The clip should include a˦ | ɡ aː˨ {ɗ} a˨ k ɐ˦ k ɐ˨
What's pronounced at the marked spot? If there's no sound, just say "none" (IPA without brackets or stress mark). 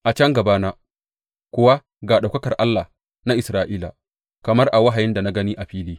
ɗ